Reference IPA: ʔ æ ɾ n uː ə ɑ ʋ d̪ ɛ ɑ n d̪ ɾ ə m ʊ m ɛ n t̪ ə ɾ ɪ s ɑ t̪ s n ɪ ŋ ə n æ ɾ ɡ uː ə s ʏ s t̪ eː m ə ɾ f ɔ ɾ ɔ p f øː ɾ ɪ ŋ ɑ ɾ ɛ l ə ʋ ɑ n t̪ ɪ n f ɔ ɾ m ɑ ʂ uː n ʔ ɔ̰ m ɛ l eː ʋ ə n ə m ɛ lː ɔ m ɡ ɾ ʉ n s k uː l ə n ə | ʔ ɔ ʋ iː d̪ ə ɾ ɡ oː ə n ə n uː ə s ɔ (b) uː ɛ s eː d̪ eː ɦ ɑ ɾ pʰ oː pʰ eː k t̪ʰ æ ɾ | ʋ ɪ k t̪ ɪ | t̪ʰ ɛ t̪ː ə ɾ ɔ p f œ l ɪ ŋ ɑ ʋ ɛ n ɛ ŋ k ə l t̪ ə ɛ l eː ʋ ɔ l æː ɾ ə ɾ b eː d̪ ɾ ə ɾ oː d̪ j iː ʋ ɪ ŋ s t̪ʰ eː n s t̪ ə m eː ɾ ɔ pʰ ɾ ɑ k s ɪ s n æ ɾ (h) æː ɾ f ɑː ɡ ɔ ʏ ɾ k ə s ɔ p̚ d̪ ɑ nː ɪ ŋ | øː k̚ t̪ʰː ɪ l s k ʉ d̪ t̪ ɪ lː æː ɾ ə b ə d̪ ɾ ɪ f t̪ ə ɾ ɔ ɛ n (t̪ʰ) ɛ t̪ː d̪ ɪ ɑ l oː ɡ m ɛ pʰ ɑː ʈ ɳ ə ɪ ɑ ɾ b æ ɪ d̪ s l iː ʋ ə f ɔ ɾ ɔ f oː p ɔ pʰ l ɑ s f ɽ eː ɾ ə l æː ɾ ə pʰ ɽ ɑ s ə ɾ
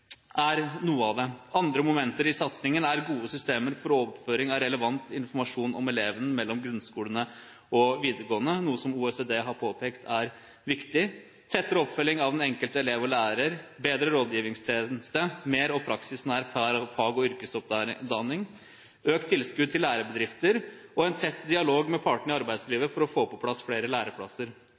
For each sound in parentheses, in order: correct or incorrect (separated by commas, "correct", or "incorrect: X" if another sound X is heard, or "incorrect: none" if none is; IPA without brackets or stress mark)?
incorrect: m, incorrect: f, correct